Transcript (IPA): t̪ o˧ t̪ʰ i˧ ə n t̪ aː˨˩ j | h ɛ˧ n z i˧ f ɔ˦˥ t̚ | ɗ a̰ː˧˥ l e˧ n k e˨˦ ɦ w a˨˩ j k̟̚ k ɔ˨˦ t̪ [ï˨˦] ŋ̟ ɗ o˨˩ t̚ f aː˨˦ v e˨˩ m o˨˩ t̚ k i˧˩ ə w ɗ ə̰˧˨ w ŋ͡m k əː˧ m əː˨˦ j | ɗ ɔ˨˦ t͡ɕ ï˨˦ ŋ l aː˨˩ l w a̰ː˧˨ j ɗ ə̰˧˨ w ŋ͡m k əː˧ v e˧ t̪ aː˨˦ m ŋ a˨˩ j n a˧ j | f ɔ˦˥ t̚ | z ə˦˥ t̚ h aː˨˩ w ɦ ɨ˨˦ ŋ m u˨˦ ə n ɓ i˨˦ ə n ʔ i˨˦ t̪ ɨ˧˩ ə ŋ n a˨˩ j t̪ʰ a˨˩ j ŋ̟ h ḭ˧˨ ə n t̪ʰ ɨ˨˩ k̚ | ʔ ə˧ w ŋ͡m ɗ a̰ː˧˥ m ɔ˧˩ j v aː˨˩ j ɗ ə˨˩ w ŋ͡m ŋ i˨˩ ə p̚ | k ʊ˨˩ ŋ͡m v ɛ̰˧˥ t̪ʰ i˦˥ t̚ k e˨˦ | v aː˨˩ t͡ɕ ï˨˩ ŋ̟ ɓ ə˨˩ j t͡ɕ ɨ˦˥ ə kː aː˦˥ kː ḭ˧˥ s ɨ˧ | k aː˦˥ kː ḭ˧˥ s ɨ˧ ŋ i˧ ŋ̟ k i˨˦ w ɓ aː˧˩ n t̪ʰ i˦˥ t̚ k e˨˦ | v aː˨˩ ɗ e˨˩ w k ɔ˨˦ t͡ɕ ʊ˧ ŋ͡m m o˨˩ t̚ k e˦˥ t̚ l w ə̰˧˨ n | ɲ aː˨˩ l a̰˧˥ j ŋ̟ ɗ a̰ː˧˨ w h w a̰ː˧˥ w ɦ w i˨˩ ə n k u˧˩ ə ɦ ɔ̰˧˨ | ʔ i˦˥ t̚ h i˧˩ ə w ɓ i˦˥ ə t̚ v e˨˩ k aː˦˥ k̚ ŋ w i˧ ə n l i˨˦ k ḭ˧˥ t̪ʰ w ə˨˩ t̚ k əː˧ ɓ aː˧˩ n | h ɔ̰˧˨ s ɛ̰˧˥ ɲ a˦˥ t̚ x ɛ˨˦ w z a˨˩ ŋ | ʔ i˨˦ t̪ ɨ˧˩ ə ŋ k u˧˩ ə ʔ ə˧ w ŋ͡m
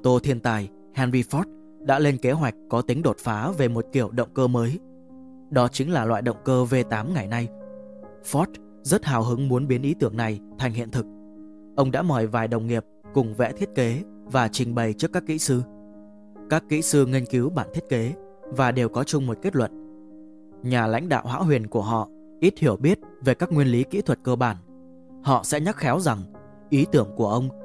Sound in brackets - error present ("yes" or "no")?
no